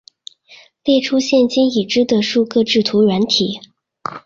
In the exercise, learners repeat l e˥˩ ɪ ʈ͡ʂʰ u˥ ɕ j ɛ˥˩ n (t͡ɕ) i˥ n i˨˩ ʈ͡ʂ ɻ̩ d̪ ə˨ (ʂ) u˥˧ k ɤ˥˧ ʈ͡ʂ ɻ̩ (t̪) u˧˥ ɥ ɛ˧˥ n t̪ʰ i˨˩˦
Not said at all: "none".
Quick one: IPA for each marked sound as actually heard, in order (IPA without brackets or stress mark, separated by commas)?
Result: t͡ɕ, ʂ, t̪ʰ